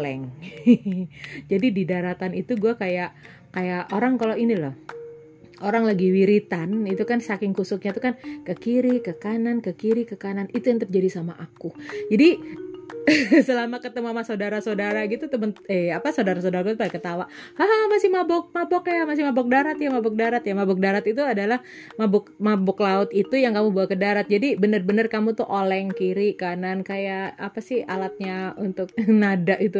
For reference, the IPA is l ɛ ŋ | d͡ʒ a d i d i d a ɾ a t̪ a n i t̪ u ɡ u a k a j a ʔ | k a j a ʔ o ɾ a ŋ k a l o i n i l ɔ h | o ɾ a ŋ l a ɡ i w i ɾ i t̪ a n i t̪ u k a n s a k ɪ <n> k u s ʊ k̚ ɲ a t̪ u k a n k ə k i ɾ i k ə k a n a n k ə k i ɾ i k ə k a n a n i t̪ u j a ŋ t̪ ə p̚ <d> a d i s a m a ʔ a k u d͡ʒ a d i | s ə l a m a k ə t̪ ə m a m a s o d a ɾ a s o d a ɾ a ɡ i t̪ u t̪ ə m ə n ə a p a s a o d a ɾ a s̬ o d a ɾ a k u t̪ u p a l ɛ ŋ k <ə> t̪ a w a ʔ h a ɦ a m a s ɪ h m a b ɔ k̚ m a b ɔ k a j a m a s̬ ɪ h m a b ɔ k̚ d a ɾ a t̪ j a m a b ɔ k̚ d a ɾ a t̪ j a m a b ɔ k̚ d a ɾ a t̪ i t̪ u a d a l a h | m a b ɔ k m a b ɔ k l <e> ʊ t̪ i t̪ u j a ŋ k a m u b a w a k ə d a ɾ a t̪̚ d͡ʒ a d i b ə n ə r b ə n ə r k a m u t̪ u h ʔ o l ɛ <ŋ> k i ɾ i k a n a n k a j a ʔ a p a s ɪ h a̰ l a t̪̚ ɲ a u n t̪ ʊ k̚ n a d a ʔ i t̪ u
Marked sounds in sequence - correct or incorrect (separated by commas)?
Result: incorrect, incorrect, correct, incorrect, correct